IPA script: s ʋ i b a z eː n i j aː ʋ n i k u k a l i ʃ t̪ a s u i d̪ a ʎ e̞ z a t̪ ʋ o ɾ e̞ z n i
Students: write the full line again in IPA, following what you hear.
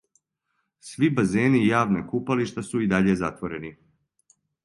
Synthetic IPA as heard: s ʋ i b a z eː n i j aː ʋ n e k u p a l i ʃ t̪ a s u i d̪ a ʎ e̞ z a t̪ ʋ o ɾ e̞ n i